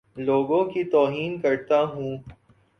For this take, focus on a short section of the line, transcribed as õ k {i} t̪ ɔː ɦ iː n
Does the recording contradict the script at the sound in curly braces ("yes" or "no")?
no